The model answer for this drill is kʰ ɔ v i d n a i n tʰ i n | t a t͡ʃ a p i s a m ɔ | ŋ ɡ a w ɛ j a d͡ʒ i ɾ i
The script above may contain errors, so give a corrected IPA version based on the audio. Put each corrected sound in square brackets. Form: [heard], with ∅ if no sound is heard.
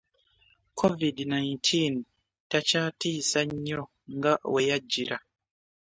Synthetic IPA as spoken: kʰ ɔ v i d n a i n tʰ i n | t a t͡ʃ a [t] i s a [ɲ] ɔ | ŋ ɡ a w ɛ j a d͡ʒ i ɾ [a]